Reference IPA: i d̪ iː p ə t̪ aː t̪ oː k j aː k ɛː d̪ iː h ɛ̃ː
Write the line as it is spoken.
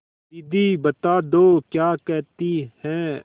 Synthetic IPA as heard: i d̪ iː b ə t̪ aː d̪ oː k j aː k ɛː t̪ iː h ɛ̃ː